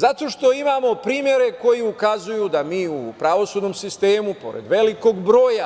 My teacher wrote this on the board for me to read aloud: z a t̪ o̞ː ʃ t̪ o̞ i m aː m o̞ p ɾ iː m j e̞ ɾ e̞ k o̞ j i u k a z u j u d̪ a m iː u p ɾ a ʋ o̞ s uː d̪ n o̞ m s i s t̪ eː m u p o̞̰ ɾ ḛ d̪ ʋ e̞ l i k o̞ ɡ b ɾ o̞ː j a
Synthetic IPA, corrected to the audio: z a t̪ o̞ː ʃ t̪ o̞ i m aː m o̞ p ɾ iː m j e̞ ɾ e̞ k o̞ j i u k a z u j u d̪ a m iː u p ɾ a ʋ o̞ s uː d̪ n o̞ m s i s t̪ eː m u p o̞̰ ɾ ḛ d̪ ʋ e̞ l i k o̞ ɡ b ɾ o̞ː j a